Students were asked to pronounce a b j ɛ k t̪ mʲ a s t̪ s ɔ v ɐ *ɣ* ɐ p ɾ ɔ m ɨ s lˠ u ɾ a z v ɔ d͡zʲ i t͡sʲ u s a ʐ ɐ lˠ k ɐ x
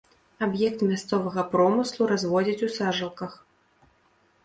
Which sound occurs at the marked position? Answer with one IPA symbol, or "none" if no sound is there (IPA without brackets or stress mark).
ɣ